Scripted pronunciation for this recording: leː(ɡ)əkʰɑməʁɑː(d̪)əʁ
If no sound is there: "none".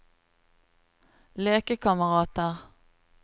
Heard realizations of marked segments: k, t̪

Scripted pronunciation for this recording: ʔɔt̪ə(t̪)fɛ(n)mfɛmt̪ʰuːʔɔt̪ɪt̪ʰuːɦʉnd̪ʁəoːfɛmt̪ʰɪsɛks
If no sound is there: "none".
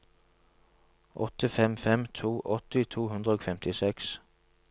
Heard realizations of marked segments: none, none

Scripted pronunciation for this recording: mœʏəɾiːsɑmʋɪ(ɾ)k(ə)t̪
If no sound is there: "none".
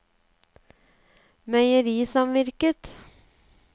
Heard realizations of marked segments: ɾ, ə

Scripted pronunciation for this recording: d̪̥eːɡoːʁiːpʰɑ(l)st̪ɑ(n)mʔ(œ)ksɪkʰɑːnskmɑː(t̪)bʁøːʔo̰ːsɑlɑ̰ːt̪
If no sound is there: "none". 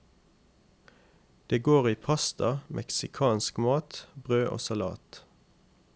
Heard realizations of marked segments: none, none, ɛ, t̪

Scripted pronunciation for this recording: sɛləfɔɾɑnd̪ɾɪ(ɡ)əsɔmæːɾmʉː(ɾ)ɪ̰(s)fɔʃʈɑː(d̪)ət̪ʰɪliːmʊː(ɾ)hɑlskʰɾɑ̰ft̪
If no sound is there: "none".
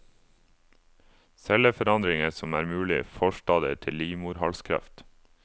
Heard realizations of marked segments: ŋ, l, none, d̪, ɾ

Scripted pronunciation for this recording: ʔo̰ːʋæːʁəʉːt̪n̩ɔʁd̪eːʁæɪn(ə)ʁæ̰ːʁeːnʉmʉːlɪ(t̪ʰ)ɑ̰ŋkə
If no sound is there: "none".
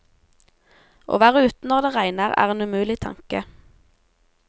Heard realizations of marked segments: ə, t̪ʰ

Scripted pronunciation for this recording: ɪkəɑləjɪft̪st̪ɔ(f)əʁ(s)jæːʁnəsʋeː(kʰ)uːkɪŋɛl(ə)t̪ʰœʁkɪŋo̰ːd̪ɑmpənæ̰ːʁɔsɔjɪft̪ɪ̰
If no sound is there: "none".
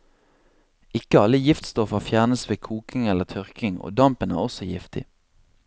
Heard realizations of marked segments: f, f, kʰ, ə

